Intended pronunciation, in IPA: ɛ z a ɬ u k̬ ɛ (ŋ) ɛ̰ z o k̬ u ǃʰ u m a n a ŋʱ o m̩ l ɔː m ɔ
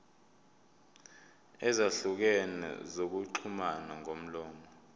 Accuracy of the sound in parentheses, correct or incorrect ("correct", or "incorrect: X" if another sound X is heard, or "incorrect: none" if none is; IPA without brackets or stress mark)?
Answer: incorrect: n